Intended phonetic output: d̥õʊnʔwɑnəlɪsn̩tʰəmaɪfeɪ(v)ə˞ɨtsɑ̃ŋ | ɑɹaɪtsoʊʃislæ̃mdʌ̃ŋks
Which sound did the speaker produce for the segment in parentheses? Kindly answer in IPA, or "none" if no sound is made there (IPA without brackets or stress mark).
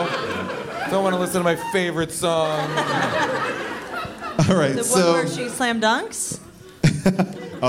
v